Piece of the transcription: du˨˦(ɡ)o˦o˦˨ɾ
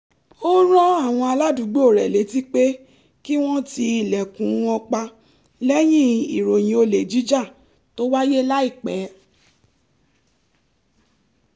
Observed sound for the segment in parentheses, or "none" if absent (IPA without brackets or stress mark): ɡ͡b